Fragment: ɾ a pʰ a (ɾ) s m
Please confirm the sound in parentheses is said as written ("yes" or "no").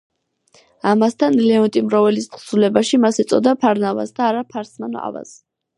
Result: yes